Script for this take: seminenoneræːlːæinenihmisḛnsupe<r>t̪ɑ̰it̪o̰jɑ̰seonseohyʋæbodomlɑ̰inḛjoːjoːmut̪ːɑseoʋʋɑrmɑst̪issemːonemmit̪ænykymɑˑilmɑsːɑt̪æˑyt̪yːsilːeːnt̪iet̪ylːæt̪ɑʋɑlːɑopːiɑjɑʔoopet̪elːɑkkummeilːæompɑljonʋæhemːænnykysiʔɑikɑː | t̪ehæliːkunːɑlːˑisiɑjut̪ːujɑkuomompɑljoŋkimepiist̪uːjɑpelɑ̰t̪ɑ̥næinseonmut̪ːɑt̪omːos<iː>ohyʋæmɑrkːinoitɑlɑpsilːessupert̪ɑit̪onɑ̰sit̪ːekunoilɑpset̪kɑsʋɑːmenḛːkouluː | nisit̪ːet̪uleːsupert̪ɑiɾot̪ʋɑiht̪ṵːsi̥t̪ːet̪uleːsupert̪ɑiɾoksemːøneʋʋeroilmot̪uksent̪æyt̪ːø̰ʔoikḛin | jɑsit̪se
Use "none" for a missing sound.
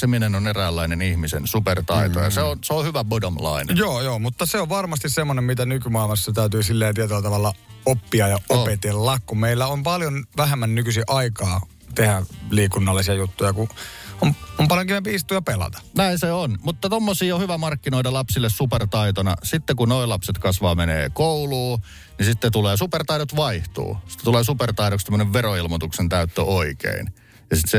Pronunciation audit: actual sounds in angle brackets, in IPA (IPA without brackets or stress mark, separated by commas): r, iː